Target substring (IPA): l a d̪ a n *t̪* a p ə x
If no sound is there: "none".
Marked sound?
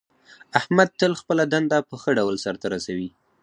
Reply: d̪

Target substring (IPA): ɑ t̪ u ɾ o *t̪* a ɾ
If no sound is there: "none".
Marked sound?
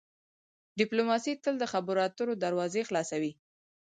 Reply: d̪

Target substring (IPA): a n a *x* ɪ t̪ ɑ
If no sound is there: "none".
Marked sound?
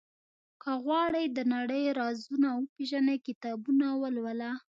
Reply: k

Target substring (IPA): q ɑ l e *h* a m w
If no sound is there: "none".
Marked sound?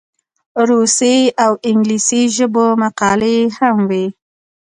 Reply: h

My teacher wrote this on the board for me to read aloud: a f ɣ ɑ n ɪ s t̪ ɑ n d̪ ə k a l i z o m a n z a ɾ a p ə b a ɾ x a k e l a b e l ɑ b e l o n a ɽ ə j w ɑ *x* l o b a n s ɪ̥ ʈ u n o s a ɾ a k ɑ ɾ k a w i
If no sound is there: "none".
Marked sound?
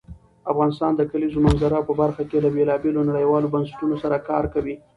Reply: none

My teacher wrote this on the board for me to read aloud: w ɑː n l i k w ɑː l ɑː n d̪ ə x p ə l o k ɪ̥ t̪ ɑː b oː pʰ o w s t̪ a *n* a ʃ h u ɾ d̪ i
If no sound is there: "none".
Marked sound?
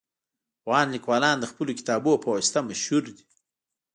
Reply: m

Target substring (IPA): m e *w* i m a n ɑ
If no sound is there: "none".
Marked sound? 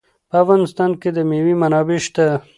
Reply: w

